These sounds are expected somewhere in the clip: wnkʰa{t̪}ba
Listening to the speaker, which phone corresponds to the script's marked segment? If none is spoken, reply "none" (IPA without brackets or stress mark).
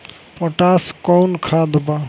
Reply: d̪